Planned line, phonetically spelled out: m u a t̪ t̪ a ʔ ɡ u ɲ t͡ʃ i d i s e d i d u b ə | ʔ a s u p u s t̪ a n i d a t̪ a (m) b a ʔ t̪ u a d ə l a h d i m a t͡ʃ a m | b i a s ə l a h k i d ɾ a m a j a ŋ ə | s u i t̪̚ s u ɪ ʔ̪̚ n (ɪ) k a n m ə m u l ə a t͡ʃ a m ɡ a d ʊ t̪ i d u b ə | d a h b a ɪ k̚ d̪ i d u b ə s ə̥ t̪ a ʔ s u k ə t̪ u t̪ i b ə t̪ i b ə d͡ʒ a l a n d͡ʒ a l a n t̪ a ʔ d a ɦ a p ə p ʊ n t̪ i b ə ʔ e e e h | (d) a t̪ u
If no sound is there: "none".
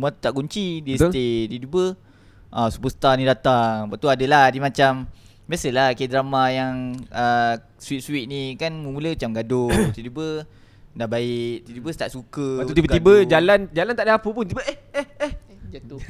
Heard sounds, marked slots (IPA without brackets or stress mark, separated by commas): ŋ, i, d͡ʒ